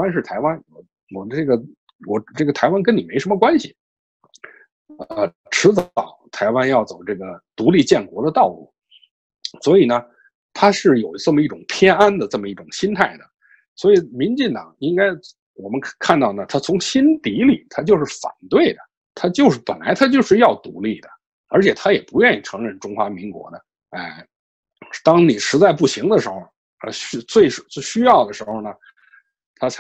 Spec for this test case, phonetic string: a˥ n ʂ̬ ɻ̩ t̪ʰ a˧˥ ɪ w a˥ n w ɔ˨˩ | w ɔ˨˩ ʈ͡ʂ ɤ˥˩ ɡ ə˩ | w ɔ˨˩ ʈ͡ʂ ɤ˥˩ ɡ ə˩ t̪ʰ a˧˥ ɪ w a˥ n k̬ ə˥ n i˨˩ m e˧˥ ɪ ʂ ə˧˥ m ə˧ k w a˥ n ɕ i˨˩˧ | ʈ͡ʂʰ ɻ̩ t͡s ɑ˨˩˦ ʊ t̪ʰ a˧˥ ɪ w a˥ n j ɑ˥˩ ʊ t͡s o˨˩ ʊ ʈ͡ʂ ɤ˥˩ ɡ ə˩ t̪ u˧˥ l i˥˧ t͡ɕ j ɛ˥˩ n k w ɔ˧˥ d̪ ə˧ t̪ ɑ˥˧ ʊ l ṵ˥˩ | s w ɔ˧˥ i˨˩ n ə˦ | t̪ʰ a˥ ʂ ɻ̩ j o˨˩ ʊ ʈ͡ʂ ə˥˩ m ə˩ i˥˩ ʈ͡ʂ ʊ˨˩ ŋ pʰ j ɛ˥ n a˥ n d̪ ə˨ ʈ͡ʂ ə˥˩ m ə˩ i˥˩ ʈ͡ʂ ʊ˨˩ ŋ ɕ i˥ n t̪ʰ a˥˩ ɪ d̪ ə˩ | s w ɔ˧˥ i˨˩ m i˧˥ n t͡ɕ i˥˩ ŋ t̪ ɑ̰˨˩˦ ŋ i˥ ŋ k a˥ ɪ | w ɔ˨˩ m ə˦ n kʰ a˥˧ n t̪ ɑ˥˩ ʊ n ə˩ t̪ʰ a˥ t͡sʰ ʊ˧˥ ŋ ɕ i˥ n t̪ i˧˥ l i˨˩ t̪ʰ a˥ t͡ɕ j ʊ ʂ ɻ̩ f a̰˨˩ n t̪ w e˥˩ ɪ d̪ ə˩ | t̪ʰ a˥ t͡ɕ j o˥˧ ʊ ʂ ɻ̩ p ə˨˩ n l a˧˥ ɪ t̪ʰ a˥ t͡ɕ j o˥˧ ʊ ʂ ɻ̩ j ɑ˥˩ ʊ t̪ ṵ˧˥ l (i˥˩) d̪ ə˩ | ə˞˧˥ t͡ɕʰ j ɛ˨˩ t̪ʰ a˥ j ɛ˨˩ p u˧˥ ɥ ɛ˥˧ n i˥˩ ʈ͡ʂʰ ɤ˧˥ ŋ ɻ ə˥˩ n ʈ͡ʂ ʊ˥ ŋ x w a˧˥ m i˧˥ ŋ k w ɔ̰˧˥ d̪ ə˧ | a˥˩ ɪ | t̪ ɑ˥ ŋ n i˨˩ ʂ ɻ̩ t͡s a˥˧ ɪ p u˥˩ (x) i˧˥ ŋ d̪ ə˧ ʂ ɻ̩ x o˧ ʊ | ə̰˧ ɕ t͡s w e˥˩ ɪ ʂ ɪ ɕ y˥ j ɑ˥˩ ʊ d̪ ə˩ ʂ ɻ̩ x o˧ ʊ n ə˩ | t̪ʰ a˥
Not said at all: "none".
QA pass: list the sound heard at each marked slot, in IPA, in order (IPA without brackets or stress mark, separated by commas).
i˥˩, ɕ